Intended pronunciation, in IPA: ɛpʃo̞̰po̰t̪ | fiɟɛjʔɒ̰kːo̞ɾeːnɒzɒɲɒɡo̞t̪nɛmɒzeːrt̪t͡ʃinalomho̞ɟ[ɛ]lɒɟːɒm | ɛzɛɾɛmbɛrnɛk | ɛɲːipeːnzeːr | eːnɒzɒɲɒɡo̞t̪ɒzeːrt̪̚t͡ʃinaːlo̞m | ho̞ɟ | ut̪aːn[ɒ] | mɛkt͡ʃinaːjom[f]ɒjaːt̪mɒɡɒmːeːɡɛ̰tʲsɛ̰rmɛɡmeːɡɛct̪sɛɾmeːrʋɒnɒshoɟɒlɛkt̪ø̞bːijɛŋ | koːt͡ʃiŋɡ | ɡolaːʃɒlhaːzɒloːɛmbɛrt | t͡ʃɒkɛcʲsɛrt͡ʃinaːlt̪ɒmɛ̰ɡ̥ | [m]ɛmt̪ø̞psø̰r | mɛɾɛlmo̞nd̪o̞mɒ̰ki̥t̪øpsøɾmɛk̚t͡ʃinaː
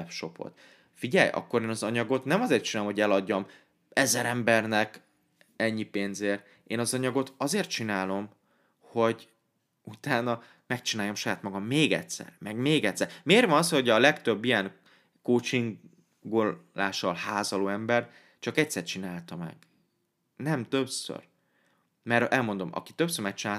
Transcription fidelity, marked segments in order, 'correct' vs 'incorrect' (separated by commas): correct, correct, incorrect, incorrect